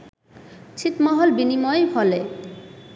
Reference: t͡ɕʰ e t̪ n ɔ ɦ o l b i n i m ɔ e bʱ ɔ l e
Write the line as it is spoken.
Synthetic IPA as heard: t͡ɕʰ i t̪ m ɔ ɦ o l b i n i m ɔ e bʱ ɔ l e